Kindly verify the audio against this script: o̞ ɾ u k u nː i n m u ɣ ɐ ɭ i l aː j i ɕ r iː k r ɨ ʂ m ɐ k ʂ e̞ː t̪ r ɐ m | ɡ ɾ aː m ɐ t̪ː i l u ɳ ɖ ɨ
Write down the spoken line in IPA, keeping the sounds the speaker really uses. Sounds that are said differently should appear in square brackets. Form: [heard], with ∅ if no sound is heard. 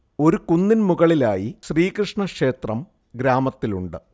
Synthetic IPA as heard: o̞ ɾ u k u nː i n m u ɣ ɐ ɭ i l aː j i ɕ r iː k r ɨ ʂ [ɳ] ɐ k ʂ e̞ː t̪ r ɐ m | ɡ ɾ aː m ɐ t̪ː i l u ɳ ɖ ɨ